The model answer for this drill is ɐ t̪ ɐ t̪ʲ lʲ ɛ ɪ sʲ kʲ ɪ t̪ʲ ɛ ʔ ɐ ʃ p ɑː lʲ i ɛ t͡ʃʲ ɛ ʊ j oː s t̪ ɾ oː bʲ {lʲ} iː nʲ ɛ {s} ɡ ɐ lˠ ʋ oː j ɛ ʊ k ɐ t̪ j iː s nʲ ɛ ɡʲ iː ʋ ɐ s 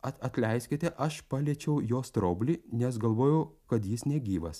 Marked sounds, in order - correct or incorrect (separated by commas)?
correct, correct